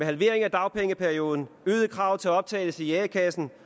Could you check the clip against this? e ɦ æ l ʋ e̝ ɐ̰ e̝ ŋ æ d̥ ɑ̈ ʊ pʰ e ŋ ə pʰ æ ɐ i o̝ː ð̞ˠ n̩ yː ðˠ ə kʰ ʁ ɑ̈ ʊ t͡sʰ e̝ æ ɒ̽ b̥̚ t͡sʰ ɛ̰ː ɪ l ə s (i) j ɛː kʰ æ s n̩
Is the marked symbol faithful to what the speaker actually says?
yes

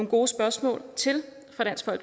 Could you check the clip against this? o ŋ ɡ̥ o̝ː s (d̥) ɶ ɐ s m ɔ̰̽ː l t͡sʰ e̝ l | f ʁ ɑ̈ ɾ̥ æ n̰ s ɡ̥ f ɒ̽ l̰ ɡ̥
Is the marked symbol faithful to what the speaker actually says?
no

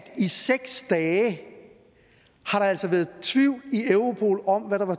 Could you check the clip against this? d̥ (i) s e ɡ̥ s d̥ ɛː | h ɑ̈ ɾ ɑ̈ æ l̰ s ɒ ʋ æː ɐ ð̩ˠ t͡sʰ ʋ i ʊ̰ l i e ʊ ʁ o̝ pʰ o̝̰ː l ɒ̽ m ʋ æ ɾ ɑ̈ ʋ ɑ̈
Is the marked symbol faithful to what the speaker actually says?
yes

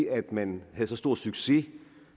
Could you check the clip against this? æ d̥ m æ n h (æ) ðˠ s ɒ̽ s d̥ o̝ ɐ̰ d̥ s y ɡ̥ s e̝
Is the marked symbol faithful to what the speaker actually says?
yes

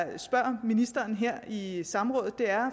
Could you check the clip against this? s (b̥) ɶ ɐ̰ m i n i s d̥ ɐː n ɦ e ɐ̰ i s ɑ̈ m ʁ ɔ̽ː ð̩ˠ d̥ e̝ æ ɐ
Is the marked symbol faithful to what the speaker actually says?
yes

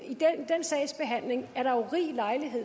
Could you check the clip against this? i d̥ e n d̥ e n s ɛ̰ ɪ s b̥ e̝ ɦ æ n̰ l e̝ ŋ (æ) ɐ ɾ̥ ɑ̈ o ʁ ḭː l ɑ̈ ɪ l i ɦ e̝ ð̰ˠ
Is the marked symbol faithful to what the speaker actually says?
yes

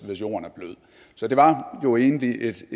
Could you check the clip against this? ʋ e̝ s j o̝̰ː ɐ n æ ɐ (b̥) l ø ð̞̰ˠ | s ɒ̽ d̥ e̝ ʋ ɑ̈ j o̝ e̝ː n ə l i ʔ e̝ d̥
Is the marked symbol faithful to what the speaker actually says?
yes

